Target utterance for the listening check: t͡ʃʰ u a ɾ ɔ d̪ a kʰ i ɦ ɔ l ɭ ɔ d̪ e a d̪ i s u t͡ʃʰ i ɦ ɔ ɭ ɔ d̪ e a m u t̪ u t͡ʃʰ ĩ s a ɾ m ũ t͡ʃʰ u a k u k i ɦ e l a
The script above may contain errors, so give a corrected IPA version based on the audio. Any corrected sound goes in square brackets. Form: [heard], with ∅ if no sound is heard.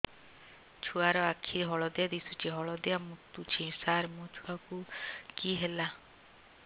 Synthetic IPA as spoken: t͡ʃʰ u a ɾ ɔ [∅] a kʰ i ɦ ɔ [∅] ɭ ɔ d̪ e a d̪ i s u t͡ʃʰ i ɦ ɔ ɭ ɔ d̪ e a m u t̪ u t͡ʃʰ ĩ s a ɾ m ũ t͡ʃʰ u a k u k i ɦ e l a